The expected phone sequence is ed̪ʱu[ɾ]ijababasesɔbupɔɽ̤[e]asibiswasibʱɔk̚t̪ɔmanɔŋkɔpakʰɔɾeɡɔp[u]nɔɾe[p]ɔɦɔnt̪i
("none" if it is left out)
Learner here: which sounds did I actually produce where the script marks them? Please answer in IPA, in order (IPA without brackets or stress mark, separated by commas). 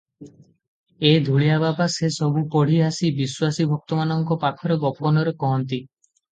ɭ, i, ɔ, k